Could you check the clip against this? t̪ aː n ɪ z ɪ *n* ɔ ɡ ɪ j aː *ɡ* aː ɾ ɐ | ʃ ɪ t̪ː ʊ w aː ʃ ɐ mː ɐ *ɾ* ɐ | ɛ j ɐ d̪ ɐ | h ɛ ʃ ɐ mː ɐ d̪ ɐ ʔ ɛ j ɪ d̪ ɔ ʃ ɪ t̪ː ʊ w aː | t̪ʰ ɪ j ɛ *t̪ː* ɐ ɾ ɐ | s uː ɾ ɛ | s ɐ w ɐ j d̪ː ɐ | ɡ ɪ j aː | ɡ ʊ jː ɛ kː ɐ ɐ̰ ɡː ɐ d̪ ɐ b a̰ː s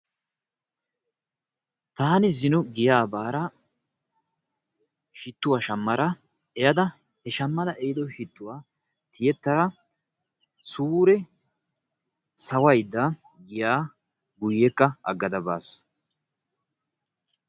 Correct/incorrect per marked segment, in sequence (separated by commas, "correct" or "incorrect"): correct, incorrect, correct, correct